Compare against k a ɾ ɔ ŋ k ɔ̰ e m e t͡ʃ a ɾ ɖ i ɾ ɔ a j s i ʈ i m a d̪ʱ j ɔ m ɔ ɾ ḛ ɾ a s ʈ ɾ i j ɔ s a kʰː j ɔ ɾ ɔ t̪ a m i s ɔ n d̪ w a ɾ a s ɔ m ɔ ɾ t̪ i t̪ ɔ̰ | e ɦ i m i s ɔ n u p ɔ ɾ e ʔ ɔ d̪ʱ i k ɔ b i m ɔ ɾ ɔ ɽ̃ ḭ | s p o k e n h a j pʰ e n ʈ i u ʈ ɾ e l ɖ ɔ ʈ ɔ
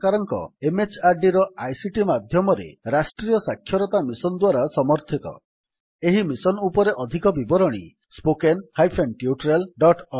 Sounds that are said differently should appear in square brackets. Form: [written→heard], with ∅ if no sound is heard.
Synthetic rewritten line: k a ɾ ɔ ŋ k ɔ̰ e m e t͡ʃ a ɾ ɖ i ɾ ɔ a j s i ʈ i m a d̪ʱ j ɔ m ɔ ɾ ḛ ɾ a s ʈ ɾ i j ɔ s a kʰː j ɔ ɾ ɔ t̪ a m i s ɔ n d̪ w a ɾ a s ɔ m ɔ ɾ [t̪→t̪ʰ] i t̪ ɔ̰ | e ɦ i m i s ɔ n u p ɔ ɾ e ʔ ɔ d̪ʱ i k ɔ b i [m→b] ɔ ɾ ɔ ɽ̃ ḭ | s p o k e n h a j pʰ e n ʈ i u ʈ ɾ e l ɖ ɔ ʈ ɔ